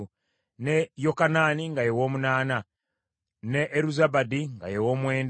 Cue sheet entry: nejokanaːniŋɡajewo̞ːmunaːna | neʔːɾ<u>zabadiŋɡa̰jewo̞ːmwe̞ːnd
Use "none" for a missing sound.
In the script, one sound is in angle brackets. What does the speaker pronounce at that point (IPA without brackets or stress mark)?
u